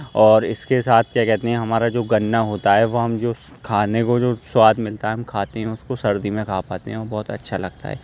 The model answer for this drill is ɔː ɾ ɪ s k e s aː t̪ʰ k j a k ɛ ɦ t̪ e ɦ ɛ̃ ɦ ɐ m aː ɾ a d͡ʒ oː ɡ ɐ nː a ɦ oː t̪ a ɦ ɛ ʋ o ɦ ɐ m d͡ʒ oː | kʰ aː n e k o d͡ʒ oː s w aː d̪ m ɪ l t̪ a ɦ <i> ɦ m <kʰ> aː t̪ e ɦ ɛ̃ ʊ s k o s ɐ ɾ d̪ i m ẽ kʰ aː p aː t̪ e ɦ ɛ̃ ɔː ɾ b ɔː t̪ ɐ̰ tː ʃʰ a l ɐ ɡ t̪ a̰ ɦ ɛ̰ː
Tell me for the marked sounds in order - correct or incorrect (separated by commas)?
incorrect, correct